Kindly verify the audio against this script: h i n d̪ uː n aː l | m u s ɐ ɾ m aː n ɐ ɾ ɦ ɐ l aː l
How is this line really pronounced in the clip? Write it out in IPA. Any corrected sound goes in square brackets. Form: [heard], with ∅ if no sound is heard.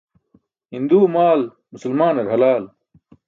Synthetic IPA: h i n d̪ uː [m] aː l | m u s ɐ [l] m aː n ɐ ɾ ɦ ɐ l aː l